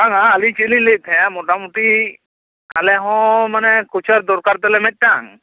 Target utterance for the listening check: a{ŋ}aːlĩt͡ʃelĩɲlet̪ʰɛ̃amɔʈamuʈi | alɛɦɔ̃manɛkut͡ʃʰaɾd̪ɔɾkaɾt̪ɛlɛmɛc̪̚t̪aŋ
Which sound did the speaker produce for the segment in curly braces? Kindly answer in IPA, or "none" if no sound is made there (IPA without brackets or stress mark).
ŋ